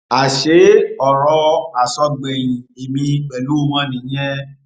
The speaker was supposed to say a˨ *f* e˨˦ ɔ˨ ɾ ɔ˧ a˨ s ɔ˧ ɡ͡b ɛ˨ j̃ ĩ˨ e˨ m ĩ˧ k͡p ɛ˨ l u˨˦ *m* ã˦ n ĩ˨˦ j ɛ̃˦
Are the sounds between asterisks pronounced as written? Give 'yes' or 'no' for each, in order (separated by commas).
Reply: no, yes